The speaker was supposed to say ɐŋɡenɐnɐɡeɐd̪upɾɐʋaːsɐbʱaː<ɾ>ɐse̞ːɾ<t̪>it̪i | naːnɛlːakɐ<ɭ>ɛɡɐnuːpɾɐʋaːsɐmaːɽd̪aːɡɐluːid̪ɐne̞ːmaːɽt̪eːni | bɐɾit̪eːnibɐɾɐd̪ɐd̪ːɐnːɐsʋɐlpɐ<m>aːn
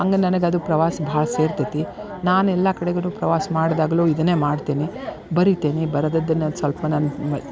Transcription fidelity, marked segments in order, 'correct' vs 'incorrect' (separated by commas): incorrect, correct, incorrect, incorrect